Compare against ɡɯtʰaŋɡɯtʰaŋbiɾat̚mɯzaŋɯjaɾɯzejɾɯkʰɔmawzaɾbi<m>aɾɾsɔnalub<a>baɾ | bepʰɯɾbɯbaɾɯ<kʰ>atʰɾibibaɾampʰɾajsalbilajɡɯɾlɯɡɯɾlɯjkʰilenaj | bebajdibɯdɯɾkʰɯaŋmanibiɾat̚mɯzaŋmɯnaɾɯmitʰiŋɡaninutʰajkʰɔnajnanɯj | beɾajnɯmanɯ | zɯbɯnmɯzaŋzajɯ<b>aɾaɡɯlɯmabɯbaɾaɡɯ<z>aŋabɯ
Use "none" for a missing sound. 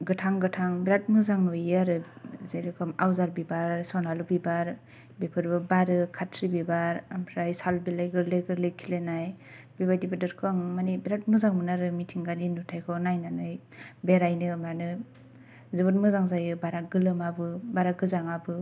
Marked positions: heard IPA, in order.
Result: b, i, kʰ, b, z

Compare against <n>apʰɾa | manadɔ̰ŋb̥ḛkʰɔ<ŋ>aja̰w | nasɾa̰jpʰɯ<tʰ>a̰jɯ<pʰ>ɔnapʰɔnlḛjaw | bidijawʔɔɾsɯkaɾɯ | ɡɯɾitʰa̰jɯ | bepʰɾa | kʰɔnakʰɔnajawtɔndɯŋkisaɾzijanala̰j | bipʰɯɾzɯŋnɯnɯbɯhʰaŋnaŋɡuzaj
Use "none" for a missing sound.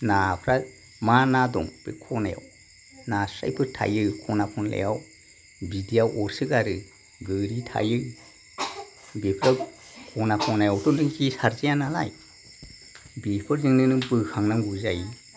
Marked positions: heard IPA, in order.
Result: n, n, tʰ, kʰ

